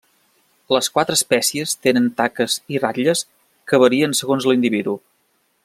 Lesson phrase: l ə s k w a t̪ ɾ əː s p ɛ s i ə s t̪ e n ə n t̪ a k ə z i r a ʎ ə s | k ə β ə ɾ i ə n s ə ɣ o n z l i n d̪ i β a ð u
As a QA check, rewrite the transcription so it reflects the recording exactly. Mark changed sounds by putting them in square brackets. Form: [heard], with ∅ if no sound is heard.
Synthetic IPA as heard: l ə s k w a t̪ ɾ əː s p ɛ s i ə s t̪ e n ə n t̪ a k ə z i r a ʎ ə s | k ə β ə ɾ i ə n s ə ɣ o n z l i n d̪ i β [i] ð u